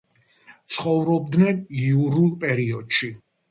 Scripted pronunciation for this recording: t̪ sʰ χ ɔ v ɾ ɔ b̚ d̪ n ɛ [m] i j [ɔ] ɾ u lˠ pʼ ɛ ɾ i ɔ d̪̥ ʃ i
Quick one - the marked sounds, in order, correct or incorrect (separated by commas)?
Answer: incorrect, incorrect